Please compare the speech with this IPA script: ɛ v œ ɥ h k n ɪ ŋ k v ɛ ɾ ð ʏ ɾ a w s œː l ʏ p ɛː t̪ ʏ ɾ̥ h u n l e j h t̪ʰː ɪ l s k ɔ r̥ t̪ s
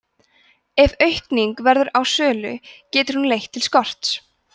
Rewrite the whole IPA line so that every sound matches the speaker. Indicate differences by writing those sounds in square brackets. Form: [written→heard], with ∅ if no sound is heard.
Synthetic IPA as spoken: ɛ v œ ɥ h k n [ɪ→i] ŋ k v ɛ ɾ ð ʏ ɾ a w s œː l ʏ [p→c] ɛː t̪ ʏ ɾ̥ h u n l e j h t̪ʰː ɪ l s k ɔ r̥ t̪ s